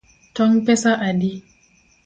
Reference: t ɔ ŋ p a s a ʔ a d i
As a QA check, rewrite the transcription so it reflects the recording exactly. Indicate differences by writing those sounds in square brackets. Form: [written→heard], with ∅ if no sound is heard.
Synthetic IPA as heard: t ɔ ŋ p [a→ɛ] s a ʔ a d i